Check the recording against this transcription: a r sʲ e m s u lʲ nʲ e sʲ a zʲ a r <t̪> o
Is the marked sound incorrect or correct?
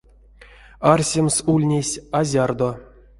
incorrect